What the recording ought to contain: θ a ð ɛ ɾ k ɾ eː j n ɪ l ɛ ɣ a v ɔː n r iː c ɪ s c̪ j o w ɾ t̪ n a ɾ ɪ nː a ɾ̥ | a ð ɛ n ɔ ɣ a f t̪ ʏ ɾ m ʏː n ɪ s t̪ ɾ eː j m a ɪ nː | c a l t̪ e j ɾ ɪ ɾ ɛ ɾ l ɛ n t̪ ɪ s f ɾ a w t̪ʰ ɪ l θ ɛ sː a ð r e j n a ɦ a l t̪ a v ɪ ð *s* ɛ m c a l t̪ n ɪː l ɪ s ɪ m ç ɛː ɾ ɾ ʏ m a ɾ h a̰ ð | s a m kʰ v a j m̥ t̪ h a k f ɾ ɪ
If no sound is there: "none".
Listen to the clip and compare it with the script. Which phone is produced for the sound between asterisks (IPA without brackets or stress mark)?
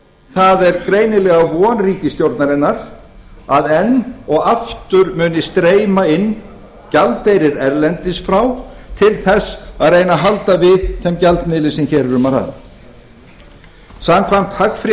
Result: θ